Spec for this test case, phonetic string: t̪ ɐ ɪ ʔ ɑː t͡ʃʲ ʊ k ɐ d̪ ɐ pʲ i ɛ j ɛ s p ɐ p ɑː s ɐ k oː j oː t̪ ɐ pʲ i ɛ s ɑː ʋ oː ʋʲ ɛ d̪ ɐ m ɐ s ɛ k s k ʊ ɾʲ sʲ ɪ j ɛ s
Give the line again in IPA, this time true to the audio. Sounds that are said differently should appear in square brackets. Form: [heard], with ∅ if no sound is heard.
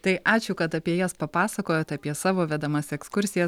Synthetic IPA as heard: t̪ ɐ ɪ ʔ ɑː t͡ʃʲ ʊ k ɐ [t̪] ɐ pʲ i ɛ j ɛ s p ɐ p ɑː s ɐ k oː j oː t̪ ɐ pʲ i ɛ s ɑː ʋ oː ʋʲ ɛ d̪ ɐ m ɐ s ɛ k s k ʊ ɾʲ sʲ ɪ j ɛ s